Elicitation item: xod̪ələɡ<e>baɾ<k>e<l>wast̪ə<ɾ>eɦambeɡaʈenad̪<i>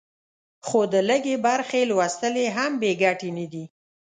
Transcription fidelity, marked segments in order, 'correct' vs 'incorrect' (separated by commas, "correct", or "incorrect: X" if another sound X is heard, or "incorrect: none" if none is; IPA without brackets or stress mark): correct, incorrect: x, correct, incorrect: l, correct